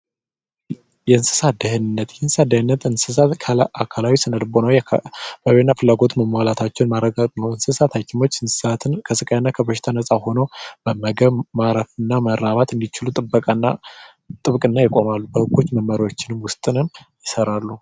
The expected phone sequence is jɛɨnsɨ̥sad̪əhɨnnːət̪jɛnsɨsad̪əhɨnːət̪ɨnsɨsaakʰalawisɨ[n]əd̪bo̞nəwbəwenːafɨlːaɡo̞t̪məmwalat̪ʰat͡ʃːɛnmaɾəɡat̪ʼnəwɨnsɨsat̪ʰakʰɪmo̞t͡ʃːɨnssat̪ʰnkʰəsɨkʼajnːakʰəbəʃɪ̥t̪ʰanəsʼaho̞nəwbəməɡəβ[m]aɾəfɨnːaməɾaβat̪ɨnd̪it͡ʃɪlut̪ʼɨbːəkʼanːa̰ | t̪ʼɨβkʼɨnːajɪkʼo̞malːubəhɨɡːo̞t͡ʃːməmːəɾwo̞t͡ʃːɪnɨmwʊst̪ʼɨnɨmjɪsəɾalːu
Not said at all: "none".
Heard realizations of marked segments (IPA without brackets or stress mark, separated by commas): n, m